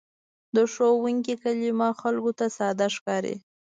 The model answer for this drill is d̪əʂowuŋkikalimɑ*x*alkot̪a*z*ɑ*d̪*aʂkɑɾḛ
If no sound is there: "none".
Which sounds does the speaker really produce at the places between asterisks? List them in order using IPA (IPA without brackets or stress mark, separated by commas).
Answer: x, s, d̪